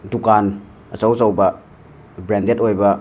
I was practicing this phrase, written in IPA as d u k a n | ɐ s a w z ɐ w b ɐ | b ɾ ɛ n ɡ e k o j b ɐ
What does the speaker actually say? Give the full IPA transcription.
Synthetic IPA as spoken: d u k a n | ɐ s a w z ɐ w b ɐ | b ɾ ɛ n d e t o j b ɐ